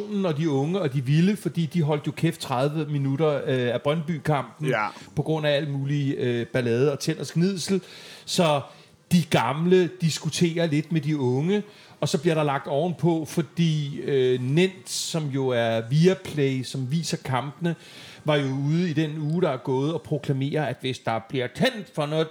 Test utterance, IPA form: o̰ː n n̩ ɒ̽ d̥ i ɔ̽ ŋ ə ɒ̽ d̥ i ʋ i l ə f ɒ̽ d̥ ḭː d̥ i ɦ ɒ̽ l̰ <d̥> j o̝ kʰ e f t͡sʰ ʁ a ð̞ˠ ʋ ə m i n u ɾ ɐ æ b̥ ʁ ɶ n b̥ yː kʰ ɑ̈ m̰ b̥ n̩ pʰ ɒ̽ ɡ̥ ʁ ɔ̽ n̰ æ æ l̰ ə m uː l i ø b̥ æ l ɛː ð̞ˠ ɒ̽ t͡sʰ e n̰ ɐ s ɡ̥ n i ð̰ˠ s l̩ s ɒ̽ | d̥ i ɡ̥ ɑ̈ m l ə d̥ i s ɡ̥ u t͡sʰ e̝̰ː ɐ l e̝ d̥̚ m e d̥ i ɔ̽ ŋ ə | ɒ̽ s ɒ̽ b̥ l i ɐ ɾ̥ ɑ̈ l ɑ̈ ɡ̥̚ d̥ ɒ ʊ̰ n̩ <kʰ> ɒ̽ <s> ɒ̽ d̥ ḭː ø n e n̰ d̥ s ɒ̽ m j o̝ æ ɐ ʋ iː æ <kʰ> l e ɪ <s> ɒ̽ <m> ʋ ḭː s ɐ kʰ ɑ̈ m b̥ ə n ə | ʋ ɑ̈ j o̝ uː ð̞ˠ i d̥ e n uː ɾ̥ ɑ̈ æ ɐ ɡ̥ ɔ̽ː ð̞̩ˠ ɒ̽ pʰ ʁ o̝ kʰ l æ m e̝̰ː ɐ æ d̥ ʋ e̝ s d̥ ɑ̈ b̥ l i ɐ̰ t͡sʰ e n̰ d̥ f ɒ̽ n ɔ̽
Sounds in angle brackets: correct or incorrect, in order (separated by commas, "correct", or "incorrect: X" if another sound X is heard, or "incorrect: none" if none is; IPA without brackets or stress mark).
correct, incorrect: pʰ, incorrect: f, incorrect: pʰ, correct, correct